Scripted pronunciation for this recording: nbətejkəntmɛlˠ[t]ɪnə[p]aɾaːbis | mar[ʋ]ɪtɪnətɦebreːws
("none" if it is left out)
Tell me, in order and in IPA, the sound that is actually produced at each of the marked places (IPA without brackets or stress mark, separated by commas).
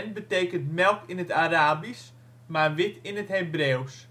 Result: k, t, ʋ